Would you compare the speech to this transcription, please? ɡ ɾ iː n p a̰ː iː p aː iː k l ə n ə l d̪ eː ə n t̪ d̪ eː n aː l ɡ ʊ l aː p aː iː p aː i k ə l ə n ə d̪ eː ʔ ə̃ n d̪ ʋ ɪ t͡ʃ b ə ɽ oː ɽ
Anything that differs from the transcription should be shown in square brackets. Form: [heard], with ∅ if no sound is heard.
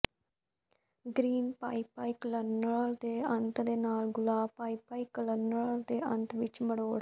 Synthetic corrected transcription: ɡ ɾ iː n p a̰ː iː p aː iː k l ə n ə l d̪ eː ə n t̪ d̪ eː n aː l ɡ ʊ l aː p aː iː p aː i k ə l ə n ə d̪ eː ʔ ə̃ n [t̪] ʋ ɪ t͡ʃ [m] ə ɽ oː ɽ